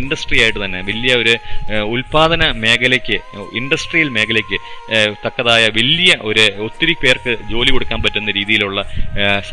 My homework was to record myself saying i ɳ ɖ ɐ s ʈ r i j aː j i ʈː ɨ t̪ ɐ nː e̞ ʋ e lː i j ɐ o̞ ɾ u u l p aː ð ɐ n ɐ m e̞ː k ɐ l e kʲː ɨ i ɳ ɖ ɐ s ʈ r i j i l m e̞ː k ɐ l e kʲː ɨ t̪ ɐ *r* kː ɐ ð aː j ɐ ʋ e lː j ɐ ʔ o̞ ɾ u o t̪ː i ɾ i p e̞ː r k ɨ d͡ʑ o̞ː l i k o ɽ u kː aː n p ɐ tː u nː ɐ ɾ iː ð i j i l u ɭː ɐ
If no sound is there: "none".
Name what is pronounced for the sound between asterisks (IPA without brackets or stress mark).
none